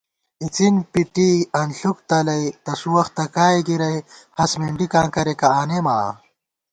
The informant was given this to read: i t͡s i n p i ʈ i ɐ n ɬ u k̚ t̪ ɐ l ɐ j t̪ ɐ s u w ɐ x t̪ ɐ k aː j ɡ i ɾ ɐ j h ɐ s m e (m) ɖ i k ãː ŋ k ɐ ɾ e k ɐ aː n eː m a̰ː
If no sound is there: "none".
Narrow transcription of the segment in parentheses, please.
ɳ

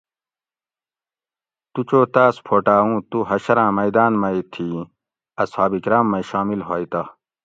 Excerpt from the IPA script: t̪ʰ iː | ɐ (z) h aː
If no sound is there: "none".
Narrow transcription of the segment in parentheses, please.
s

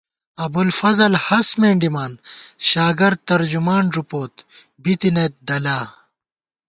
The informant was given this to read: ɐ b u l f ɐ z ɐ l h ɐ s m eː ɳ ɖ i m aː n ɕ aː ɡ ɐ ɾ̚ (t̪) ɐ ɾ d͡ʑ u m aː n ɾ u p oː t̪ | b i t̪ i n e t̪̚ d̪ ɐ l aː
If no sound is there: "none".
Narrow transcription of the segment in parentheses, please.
t̪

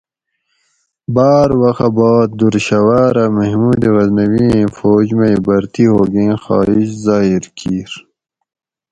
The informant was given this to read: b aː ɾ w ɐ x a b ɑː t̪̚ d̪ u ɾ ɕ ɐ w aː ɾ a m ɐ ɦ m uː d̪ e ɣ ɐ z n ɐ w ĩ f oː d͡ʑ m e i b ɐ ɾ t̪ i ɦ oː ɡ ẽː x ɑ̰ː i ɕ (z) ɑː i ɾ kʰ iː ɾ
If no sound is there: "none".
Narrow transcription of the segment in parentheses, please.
z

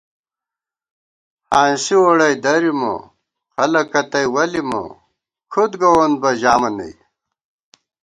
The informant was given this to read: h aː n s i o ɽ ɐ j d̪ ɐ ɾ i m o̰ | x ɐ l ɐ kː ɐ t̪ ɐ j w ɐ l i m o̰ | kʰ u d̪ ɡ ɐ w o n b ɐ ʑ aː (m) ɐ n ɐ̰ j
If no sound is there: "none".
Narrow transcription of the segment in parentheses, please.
m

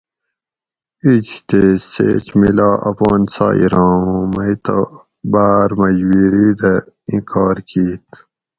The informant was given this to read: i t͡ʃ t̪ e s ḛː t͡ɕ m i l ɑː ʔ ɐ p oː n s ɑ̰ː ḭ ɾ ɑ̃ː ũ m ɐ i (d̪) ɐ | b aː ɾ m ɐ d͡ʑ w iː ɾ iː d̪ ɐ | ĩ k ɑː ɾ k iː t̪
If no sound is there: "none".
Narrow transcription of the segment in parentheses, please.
t̪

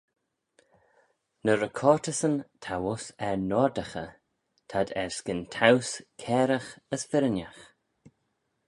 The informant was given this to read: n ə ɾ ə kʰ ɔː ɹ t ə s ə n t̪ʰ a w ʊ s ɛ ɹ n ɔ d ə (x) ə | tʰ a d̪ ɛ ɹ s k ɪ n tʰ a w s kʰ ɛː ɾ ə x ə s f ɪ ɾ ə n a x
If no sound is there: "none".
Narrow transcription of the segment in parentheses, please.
x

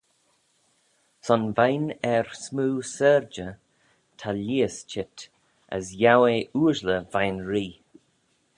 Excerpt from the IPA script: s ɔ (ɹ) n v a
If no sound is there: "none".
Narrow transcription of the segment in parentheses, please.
none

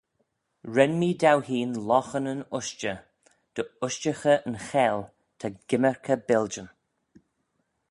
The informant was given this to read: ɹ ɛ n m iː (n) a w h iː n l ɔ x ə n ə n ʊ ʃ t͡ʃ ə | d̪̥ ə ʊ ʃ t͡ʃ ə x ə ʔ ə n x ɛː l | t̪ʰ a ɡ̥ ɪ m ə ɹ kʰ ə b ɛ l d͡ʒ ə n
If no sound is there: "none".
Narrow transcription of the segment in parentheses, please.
d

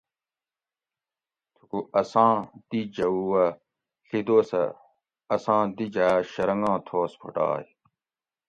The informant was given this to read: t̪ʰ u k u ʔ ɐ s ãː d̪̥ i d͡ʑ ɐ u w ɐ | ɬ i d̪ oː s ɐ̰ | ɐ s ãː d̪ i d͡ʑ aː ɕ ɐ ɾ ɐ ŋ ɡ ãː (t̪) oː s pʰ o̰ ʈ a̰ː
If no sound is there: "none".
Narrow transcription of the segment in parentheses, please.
t̪ʰ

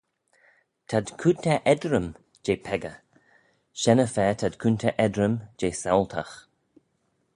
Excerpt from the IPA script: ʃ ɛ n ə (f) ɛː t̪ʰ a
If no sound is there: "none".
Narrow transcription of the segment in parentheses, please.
f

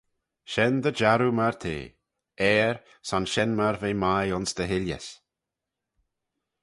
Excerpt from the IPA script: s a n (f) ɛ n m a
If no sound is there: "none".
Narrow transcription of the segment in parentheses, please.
ʃ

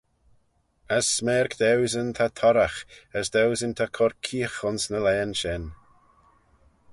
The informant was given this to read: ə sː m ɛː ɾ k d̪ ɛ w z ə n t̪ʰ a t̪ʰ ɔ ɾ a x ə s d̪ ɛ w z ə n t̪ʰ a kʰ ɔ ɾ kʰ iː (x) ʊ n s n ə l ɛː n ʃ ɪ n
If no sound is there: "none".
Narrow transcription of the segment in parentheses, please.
x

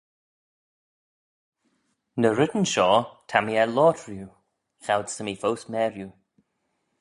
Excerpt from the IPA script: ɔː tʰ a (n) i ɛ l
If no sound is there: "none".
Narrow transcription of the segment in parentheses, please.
m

